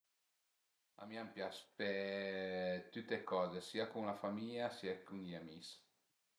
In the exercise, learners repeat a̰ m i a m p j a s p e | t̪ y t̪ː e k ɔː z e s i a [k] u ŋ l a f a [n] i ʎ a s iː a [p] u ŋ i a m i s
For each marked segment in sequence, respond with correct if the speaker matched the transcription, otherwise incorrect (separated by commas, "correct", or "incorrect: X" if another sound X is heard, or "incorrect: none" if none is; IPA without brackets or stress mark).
correct, incorrect: m, incorrect: k